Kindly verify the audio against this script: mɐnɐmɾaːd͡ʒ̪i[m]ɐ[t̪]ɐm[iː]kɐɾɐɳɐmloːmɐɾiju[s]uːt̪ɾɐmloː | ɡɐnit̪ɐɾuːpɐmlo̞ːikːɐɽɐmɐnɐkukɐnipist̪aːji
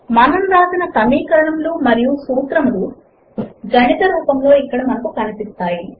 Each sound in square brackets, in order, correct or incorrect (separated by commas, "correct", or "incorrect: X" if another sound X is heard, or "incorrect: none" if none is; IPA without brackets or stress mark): incorrect: n, correct, correct, correct